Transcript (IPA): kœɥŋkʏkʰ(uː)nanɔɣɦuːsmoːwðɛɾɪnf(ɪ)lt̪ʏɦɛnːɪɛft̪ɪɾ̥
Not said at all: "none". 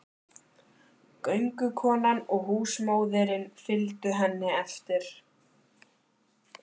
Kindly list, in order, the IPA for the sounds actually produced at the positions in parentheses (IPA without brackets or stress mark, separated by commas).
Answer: ɔː, ɪ